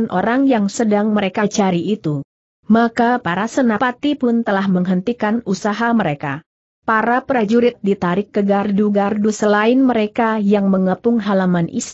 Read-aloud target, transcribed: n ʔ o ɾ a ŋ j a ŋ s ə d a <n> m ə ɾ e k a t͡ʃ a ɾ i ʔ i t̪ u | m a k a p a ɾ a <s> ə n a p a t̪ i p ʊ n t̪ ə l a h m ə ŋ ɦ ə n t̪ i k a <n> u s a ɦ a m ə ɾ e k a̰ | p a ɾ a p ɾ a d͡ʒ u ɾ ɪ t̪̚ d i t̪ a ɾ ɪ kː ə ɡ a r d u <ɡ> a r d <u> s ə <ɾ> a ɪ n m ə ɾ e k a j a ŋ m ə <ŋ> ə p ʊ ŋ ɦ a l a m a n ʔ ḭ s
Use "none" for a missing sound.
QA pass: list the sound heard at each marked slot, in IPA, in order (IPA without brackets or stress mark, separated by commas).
ŋ, s, n, ɡ, u, l, ŋ